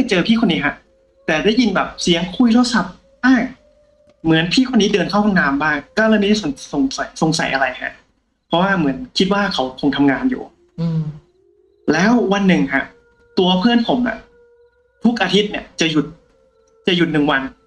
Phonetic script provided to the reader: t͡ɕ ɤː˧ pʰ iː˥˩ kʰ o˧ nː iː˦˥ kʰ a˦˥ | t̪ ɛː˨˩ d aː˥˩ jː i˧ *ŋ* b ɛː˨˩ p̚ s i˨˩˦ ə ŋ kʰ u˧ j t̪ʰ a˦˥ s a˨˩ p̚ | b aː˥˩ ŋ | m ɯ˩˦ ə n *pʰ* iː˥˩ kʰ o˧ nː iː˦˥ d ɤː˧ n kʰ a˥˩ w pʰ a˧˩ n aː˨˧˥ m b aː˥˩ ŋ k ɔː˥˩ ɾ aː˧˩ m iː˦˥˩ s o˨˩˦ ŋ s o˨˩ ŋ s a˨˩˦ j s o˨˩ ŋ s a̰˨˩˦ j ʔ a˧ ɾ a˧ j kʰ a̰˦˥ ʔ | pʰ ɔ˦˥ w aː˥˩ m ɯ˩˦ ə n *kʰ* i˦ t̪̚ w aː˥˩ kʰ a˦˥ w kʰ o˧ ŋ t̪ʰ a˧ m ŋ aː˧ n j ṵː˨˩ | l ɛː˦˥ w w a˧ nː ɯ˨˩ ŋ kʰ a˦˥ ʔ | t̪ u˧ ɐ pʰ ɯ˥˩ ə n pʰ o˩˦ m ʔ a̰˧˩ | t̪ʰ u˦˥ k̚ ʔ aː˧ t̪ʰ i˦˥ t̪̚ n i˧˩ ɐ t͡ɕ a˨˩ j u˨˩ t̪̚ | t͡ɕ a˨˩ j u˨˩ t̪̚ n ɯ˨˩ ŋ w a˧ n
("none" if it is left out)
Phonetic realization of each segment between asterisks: n, pʰ, kʰ

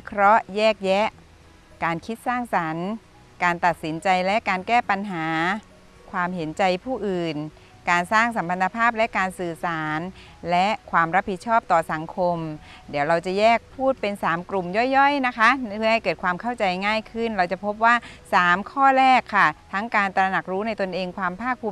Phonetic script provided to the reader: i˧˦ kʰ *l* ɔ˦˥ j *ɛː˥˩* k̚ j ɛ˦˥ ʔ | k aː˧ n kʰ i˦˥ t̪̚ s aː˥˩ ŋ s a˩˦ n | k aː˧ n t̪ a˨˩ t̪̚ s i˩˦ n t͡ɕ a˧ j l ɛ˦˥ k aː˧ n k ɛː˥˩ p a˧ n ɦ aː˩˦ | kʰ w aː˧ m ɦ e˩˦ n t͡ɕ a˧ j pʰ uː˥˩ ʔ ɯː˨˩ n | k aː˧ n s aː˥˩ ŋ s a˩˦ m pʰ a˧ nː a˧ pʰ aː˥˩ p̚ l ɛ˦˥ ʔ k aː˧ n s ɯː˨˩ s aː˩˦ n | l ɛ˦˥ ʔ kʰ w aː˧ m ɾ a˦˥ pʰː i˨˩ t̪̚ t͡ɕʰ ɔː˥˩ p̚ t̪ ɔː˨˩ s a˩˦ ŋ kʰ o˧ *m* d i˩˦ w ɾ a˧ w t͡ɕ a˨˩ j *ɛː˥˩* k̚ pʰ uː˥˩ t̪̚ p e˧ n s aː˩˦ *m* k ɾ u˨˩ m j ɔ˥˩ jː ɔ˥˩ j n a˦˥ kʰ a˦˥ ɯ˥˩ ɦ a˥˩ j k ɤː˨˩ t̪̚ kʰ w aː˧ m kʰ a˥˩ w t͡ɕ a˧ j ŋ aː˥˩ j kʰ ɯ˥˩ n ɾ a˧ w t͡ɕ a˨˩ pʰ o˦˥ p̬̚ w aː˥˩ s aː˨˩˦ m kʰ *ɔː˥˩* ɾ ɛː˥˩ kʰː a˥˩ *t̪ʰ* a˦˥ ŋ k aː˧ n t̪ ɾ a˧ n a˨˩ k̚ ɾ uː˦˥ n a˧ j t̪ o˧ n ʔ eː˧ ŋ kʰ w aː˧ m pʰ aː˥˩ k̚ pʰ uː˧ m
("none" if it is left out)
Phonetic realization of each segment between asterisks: ɾ, ɛː˥˩, m, ɛː˥˩, m, ɔː˥˩, t̪ʰ

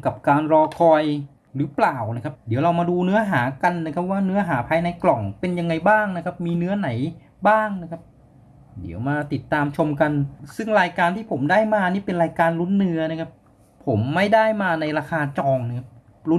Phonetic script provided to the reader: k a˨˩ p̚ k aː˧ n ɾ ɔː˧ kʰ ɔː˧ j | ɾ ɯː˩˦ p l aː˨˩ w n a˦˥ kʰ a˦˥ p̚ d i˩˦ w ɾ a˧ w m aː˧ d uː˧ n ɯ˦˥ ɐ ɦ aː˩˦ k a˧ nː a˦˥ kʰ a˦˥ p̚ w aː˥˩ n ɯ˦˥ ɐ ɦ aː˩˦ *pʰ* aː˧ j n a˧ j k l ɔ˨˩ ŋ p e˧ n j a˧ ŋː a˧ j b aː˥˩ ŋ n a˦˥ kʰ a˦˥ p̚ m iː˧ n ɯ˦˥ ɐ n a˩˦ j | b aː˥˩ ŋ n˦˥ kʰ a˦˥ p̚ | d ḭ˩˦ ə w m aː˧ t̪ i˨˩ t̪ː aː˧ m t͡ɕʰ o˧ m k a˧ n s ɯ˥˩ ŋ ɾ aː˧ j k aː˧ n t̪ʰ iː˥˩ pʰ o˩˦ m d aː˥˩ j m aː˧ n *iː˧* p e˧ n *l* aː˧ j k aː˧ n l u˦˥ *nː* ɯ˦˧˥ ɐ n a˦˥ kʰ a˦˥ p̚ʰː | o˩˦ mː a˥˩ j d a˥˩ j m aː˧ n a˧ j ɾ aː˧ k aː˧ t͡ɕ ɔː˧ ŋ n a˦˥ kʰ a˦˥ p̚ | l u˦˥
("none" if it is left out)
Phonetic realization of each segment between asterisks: pʰ, iː˥˩, ɾ, nː

